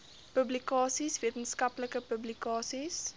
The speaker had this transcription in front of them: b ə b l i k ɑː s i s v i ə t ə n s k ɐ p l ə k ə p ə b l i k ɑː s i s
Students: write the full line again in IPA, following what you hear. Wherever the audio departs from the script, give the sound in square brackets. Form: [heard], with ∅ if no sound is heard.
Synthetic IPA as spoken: [p] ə b l i k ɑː s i s v i ə t ə n s k ɐ p l ə k ə p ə b l i k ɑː s i s